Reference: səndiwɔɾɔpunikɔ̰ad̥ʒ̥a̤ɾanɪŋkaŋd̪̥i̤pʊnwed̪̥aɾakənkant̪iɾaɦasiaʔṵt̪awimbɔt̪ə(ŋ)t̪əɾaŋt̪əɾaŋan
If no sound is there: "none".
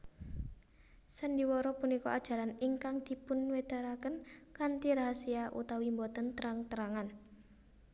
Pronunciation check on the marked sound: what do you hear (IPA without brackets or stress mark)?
n